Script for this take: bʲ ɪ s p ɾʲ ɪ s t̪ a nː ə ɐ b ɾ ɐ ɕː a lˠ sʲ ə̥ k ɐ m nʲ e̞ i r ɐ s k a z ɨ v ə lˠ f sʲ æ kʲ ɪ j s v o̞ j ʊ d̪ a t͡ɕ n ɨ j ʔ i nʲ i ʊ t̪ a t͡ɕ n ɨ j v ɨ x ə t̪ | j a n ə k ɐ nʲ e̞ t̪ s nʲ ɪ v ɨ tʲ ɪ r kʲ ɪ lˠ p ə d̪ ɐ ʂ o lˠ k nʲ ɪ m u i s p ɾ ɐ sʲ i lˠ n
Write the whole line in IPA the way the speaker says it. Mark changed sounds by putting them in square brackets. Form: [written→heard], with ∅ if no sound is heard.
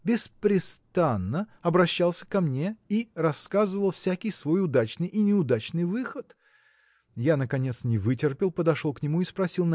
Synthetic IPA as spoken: bʲ ɪ s p ɾʲ ɪ s t̪ a nː ə ɐ b ɾ ɐ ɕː a lˠ sʲ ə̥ k ɐ m nʲ e̞ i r ɐ s k a z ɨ v ə lˠ f sʲ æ kʲ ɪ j s v o̞ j ʊ d̪ a t͡ɕ n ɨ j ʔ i nʲ [i→ɪ] ʊ [t̪→d̪] a t͡ɕ n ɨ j v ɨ x ə t̪ | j a n ə k ɐ nʲ e̞ t̪ s nʲ ɪ v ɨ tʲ ɪ r [kʲ→pʲ] ɪ lˠ p ə d̪ ɐ ʂ o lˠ k nʲ ɪ m u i s p ɾ ɐ sʲ i lˠ n